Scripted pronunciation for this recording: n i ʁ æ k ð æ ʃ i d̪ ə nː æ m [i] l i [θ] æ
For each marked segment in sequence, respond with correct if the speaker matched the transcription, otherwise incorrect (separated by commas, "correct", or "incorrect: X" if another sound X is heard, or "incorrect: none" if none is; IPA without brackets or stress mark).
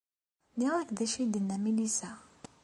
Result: correct, incorrect: s